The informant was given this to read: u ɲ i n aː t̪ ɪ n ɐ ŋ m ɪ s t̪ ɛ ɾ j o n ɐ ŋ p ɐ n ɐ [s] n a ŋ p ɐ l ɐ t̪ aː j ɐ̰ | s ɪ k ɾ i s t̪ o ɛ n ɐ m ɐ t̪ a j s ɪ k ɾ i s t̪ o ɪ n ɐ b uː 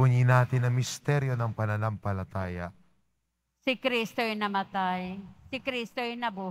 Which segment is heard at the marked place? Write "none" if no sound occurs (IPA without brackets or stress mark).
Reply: none